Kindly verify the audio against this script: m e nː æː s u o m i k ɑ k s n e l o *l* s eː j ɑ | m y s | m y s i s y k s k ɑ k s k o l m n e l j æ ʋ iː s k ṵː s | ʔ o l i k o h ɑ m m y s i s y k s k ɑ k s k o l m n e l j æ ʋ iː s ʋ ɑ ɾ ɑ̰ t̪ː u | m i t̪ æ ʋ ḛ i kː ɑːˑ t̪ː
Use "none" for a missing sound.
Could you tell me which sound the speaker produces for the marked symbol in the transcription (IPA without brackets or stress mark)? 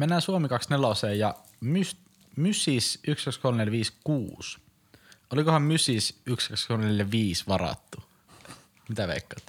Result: none